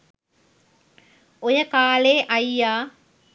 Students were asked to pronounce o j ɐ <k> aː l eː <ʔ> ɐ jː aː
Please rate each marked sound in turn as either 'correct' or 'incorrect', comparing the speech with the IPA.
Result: correct, correct

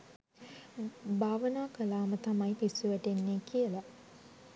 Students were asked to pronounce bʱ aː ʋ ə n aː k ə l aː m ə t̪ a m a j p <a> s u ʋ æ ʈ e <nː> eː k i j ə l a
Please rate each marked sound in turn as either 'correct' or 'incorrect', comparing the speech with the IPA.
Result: incorrect: i, correct

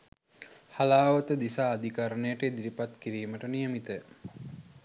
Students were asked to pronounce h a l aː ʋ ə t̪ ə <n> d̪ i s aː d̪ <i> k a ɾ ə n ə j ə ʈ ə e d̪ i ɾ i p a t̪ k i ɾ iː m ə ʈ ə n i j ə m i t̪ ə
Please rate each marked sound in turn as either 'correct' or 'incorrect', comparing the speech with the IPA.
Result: incorrect: none, correct

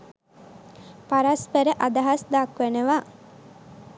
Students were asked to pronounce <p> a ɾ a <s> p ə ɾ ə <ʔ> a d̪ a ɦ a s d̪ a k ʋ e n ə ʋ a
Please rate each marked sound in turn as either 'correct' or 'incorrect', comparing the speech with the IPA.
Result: correct, correct, correct

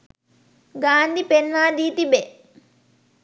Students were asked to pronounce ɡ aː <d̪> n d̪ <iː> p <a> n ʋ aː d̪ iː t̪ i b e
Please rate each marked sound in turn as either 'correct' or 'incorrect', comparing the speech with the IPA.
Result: incorrect: none, incorrect: i, incorrect: e

